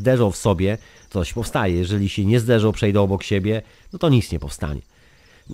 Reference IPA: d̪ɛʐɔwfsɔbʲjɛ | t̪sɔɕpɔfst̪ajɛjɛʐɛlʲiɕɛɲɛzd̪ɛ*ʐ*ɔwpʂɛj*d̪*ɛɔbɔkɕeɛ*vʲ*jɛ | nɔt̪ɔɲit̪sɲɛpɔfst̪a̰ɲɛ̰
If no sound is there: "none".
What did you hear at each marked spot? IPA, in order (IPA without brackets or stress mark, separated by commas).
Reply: ʐ, d̪, bʲ